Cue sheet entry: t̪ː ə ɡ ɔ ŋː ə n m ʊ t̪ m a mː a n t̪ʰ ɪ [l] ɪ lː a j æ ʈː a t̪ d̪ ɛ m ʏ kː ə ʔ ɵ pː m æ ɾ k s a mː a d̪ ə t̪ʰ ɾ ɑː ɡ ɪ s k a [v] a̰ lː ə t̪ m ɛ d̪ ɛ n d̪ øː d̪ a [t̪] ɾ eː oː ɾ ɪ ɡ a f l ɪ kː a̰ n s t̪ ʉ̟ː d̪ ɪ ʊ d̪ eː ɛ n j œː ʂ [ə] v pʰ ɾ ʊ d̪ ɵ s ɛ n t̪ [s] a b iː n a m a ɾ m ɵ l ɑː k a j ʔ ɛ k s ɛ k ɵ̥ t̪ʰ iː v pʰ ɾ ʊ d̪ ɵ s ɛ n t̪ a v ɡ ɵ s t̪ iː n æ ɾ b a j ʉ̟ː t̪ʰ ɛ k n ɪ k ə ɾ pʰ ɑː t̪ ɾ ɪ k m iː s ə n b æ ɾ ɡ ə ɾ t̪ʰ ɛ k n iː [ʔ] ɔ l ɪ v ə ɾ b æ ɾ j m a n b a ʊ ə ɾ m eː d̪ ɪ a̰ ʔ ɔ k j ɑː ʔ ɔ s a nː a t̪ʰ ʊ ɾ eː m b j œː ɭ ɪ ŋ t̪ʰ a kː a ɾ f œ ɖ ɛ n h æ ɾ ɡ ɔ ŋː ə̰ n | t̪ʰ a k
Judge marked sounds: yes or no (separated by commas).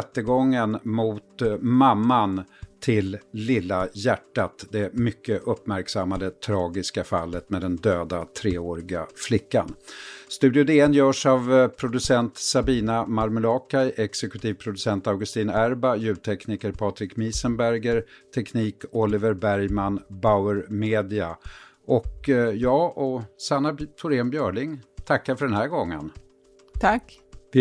no, no, no, no, yes, no